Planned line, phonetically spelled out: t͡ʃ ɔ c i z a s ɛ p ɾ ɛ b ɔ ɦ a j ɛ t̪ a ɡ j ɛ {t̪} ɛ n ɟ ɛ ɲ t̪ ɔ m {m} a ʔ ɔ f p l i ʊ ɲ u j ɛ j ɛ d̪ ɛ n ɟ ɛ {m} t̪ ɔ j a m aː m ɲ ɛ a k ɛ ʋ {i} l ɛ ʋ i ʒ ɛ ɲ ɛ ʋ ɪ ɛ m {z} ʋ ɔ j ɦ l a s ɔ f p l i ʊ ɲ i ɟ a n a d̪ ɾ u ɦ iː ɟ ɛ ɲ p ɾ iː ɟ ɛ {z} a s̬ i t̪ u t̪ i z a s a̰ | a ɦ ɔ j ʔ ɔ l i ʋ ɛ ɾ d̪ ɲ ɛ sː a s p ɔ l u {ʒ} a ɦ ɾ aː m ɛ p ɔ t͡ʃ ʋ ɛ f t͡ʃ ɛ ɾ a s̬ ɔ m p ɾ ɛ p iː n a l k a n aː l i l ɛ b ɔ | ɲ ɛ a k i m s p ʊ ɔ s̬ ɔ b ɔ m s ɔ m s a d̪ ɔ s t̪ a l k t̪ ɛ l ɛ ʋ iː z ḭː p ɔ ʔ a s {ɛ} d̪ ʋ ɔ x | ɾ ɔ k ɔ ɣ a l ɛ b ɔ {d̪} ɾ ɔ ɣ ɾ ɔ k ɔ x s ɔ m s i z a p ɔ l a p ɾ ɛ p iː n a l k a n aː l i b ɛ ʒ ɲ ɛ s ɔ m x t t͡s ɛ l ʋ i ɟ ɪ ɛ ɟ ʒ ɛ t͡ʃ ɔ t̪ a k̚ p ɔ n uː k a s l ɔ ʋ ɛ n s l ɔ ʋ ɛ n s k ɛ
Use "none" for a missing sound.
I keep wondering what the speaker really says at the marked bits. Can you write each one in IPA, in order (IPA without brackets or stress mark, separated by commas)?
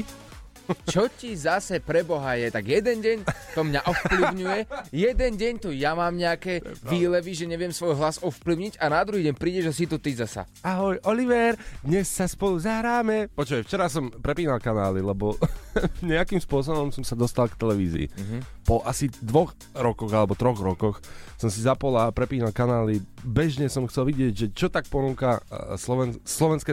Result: d̪, ɲ, ɲ, iː, s, ʒ, z, i, t̪